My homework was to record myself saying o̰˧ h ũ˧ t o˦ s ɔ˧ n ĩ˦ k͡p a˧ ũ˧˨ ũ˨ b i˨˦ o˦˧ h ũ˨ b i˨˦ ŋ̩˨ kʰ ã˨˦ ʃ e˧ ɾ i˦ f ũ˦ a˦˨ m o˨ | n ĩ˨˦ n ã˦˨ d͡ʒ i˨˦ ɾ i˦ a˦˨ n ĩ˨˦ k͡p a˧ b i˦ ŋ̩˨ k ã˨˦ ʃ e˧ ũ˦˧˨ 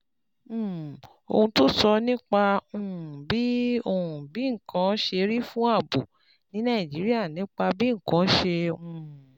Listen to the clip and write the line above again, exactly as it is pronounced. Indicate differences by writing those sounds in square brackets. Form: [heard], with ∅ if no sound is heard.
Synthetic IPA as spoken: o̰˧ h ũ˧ t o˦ s ɔ˧ n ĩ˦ k͡p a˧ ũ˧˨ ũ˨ b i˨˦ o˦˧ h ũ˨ b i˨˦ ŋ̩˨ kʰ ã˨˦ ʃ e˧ ɾ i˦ f ũ˦ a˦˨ [b] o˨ | n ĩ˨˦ n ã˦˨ d͡ʒ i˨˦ ɾ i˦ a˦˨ n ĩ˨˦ k͡p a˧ b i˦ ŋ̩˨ k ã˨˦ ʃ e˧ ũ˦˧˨